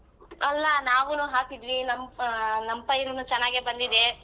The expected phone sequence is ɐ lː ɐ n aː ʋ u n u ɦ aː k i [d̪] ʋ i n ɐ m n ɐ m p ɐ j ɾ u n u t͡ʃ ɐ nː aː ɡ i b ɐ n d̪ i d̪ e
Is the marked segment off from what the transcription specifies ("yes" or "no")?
no